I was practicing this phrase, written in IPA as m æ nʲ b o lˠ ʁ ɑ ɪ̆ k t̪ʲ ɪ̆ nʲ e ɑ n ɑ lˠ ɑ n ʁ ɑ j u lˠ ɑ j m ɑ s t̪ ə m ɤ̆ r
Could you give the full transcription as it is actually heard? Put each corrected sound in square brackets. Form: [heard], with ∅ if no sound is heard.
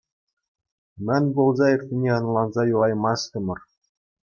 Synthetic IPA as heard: m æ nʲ b o lˠ [z] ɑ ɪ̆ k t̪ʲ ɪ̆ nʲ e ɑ n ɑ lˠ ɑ n [z] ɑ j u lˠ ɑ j m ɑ s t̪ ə m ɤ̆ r

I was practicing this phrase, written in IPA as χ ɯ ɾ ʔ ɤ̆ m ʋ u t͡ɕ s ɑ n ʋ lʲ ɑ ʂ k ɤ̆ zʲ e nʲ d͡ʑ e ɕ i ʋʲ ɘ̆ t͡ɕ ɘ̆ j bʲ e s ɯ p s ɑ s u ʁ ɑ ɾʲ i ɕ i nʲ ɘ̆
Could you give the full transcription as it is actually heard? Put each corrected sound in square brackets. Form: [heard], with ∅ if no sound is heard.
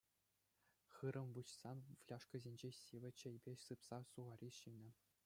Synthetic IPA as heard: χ ɯ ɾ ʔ ɤ̆ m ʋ u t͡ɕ s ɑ n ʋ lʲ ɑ ʂ k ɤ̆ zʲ e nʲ d͡ʑ e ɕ i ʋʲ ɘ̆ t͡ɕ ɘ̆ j bʲ e s ɯ p s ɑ s u ʁ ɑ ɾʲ i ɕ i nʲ ɘ̆

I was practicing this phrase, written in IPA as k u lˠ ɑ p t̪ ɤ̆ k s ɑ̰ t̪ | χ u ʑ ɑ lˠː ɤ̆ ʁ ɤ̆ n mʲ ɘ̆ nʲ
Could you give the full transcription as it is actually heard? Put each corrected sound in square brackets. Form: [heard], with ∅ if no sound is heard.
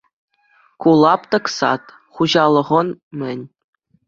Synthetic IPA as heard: k u lˠ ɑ p t̪ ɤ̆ k s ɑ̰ t̪ | χ u ʑ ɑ [lˠ] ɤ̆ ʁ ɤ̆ n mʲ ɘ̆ nʲ

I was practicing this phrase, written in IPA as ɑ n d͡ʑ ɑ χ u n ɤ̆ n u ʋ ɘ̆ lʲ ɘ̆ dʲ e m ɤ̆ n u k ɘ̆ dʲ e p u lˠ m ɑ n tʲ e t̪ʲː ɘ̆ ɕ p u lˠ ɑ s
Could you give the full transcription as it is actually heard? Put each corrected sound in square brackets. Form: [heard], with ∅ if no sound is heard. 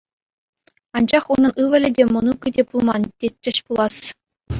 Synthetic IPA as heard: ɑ n d͡ʑ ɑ χ u n ɤ̆ n [ɯ] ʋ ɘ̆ lʲ ɘ̆ dʲ e m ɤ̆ n u k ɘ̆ dʲ e p u lˠ m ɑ n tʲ e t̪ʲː ɘ̆ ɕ p u lˠ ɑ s

